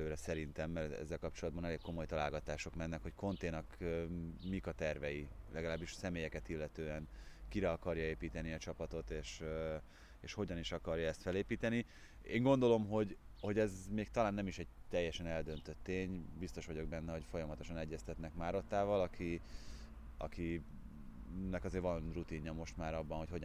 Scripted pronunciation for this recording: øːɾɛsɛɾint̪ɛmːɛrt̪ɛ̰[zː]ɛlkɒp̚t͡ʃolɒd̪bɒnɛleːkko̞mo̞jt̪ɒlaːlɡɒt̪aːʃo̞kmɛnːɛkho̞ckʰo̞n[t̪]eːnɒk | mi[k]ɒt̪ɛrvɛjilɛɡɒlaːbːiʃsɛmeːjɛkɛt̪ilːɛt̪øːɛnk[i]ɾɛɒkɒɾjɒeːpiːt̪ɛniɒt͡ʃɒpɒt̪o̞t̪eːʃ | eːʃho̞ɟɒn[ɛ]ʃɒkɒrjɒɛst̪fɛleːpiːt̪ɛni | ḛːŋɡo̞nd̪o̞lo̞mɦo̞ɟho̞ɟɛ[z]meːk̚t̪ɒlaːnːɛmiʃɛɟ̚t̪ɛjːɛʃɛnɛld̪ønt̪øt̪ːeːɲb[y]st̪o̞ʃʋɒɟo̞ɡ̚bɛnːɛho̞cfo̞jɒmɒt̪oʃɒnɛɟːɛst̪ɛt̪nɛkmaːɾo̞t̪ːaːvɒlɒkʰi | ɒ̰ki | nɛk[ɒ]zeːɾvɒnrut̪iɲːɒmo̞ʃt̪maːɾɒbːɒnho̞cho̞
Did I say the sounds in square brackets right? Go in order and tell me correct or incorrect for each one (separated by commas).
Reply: correct, correct, correct, correct, incorrect, correct, incorrect, correct